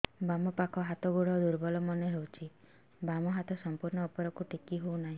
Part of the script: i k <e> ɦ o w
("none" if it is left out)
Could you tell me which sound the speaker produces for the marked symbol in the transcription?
i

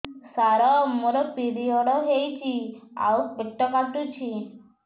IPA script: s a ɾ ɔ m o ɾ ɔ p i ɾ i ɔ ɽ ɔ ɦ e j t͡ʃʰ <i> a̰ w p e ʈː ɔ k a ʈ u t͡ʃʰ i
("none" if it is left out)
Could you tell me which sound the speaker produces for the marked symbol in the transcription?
i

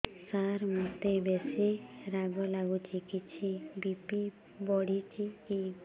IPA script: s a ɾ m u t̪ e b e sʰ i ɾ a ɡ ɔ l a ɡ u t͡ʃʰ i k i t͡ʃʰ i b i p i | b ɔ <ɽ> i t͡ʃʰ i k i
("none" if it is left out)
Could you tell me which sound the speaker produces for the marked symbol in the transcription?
ɽ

